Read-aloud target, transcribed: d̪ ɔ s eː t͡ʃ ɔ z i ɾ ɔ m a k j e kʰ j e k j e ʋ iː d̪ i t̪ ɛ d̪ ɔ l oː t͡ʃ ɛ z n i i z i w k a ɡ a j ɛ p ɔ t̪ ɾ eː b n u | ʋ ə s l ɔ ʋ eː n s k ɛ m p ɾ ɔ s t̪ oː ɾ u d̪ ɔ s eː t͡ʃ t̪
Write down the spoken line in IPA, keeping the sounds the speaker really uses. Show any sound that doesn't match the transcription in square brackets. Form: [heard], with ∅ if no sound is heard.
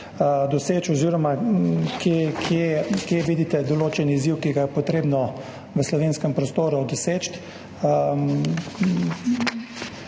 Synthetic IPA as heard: d̪ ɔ s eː t͡ʃ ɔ z i ɾ ɔ m a k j e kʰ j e k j e ʋ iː d̪ i t̪ ɛ d̪ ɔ l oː t͡ʃ ɛ [∅] n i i z i w k [i] ɡ a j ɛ p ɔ t̪ ɾ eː b n [ɔ] | ʋ ə s l ɔ ʋ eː n s k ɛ m p ɾ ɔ s t̪ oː ɾ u d̪ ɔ s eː t͡ʃ t̪